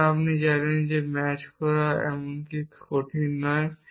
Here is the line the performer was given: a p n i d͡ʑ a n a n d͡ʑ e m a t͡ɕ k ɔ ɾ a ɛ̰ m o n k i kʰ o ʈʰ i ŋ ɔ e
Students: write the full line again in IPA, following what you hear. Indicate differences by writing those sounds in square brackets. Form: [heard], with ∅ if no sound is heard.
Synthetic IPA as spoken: a p n i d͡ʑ a n [e] n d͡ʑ e m [ɛ] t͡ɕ k ɔ ɾ a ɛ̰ m o n k i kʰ o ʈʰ i [n] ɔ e